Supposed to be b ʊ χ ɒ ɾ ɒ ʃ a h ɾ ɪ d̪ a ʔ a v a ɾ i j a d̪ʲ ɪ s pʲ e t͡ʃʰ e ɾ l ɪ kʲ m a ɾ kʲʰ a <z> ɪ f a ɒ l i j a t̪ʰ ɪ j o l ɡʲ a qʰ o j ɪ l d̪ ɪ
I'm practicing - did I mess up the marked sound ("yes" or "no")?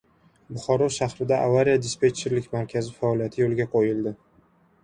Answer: no